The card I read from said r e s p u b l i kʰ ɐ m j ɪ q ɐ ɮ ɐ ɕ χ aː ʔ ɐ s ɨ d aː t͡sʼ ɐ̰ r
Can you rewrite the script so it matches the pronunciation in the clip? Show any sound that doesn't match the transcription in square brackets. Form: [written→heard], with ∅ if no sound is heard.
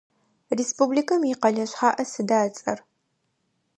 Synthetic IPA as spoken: r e s p u b l i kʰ ɐ m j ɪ q ɐ ɮ ɐ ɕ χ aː ʔ ɐ s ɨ d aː t͡sʼ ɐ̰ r